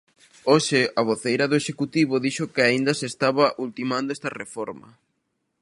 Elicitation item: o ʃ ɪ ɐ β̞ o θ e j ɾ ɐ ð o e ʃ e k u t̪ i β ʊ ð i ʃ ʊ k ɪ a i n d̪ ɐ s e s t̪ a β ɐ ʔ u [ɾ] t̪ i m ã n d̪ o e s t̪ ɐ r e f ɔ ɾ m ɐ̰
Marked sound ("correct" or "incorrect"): incorrect